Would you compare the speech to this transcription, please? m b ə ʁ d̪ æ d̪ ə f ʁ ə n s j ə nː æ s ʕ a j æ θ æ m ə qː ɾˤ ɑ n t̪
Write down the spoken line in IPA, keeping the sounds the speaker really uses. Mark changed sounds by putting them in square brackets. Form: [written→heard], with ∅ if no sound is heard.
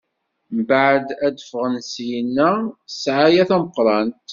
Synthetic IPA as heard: m b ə [ʁ→ʕ] d̪ æ d̪ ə f ʁ ə n s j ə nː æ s ʕ a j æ θ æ m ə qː ɾˤ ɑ n t̪